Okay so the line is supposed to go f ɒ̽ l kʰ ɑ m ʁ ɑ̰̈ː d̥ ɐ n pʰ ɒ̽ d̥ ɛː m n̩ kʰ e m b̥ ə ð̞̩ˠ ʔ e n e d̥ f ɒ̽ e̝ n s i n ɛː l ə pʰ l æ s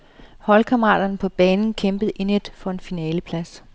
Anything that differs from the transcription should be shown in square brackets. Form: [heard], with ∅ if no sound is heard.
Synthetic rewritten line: [h] ɒ̽ l kʰ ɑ m ʁ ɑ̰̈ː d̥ ɐ n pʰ ɒ̽ [b̥] ɛː [n] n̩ kʰ e m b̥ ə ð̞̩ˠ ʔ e n e d̥ f ɒ̽ e̝ n [f] i n ɛː l ə pʰ l æ s